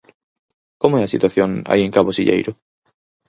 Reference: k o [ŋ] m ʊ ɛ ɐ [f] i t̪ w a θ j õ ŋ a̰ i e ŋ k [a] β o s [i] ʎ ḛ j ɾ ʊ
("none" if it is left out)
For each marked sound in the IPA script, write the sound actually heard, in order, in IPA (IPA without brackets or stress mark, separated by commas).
none, s, a, i